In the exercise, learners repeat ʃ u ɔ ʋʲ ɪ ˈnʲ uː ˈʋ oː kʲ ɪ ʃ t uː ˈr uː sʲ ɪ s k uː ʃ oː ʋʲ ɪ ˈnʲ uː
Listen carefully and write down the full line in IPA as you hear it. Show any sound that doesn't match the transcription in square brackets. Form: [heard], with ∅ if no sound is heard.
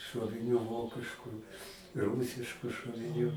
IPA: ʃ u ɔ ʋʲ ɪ ˈnʲ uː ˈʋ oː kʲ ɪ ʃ [k] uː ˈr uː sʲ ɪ [ʃ] k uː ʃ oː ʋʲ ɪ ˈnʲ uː